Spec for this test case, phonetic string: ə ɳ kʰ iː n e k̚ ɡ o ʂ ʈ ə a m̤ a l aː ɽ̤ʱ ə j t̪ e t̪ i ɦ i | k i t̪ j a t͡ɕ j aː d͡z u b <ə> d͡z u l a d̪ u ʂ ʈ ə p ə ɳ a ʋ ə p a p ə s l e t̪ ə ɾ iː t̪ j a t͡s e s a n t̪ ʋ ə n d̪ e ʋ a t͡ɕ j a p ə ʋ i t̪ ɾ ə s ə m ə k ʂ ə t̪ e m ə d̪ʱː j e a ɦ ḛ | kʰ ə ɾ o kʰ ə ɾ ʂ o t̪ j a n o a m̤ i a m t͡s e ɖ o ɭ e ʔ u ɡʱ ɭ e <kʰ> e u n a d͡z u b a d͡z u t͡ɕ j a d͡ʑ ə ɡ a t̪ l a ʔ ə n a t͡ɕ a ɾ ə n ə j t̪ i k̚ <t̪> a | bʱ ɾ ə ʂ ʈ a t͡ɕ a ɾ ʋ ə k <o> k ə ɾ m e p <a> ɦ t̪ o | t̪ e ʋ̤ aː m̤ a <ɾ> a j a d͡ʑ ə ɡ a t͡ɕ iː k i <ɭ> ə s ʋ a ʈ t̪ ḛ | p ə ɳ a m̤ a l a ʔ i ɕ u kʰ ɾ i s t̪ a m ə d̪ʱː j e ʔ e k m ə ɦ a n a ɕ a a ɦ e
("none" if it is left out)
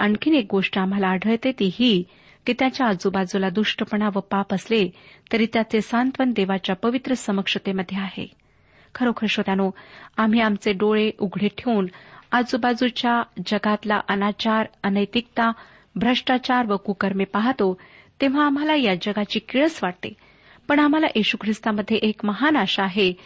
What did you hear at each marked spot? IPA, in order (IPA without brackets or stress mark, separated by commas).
a, ʈʰ, t̪, u, a, l, ɭ